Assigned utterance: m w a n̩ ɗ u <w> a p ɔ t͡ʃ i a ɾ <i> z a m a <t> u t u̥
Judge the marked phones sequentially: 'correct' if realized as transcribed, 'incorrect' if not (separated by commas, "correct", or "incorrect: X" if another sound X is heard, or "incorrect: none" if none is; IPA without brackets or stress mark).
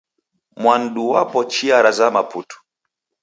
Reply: correct, incorrect: a, incorrect: p